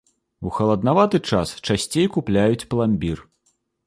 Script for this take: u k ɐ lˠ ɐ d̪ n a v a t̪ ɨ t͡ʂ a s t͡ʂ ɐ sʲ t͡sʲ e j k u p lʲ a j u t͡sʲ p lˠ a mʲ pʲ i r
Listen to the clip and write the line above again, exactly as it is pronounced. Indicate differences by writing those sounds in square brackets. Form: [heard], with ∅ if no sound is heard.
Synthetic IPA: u [x] ɐ lˠ ɐ d̪ n a v a t̪ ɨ t͡ʂ a s t͡ʂ [a] sʲ t͡sʲ e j k u p lʲ a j u t͡sʲ p lˠ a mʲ [bʲ] i r